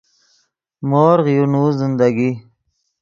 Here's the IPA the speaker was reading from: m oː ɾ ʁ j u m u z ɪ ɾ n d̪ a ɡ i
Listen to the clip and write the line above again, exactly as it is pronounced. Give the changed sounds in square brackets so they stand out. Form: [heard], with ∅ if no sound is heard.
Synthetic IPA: m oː ɾ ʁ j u [n] u z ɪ [∅] n d̪ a ɡ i